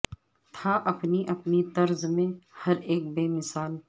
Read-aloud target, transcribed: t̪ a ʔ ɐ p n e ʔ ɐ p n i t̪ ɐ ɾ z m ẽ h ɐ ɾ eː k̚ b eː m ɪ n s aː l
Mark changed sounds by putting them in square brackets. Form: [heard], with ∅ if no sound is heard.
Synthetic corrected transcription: [t̪ʰ] a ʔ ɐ p n [i] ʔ ɐ p n i t̪ ɐ ɾ z m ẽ h ɐ ɾ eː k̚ b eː m ɪ [∅] s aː l